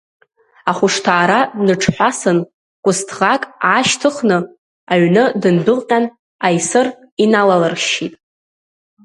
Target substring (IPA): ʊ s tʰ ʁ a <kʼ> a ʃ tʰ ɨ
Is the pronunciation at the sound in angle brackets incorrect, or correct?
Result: correct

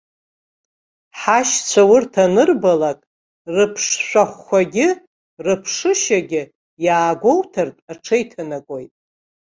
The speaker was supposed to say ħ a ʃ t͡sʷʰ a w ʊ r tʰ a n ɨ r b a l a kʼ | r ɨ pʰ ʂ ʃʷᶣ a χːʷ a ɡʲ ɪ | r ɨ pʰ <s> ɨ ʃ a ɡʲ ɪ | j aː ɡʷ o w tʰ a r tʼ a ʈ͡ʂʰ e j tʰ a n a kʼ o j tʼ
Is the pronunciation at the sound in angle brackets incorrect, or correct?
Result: incorrect: ʂ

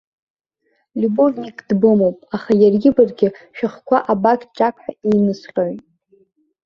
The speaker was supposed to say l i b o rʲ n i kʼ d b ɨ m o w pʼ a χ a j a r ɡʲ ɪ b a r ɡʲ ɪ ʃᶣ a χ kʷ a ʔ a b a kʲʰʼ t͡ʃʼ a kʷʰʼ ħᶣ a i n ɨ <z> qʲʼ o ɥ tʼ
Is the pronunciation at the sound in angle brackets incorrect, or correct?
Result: incorrect: s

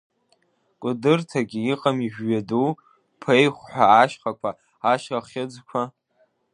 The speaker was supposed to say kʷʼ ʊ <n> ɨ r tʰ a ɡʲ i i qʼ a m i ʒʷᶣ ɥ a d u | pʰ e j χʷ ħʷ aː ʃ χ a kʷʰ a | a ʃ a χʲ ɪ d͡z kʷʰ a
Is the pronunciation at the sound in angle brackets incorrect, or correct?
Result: incorrect: d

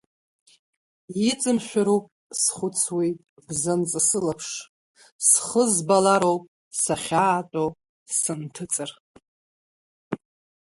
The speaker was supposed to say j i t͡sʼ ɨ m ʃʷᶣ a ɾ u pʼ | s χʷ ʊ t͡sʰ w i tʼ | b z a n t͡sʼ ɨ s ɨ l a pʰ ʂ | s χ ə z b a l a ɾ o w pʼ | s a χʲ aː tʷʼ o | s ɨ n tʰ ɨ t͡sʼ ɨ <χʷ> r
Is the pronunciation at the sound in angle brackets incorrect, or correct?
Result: incorrect: none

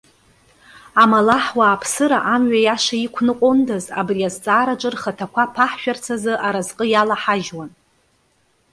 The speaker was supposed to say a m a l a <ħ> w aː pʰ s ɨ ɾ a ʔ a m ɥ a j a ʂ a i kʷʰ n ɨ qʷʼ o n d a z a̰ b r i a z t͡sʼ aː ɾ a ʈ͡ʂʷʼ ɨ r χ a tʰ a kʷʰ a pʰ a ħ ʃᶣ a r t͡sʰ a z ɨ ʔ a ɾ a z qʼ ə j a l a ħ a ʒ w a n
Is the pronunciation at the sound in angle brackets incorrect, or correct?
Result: correct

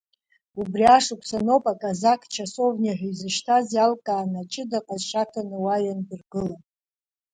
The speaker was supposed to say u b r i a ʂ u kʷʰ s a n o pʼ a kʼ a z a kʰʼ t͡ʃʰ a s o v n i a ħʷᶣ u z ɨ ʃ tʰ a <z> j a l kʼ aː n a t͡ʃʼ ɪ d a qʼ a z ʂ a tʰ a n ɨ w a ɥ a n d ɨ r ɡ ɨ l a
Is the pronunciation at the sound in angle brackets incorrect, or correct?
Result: correct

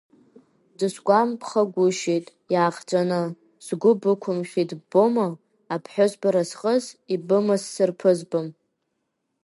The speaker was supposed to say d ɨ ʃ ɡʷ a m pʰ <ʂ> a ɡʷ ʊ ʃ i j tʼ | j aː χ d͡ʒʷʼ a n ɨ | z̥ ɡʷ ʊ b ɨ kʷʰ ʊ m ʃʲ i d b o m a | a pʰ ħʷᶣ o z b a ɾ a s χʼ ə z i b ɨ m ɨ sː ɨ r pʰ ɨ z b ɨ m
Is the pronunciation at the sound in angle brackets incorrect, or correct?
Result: incorrect: χ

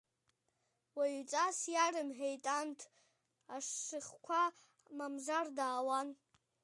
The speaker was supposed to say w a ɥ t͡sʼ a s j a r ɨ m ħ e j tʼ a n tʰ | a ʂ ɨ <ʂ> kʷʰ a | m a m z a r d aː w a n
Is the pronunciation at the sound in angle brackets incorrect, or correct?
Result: incorrect: χ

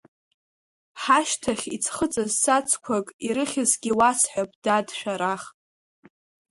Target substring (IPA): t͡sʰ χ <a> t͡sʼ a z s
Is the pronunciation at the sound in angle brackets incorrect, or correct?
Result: incorrect: ə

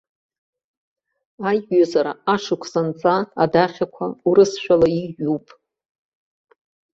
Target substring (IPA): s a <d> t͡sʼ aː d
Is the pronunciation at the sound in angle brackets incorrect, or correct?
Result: incorrect: n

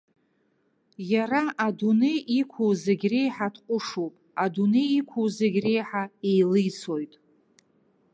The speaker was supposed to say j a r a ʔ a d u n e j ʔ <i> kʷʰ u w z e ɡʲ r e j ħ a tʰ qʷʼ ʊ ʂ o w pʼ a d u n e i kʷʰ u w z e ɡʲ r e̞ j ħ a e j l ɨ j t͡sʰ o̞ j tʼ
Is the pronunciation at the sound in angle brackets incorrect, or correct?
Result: correct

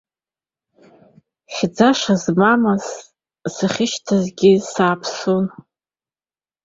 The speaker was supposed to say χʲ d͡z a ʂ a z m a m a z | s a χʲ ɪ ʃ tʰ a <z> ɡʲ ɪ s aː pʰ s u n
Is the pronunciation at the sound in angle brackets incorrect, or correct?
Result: correct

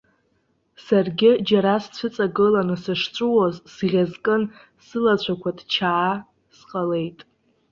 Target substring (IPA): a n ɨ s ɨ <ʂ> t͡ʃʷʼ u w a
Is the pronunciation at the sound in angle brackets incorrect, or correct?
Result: correct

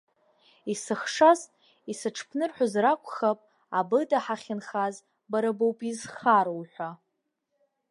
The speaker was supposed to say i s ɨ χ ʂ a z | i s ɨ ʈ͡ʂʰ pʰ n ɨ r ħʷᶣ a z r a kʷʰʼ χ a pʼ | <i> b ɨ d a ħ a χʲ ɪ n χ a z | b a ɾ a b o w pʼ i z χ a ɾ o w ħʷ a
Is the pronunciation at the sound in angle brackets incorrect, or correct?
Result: incorrect: a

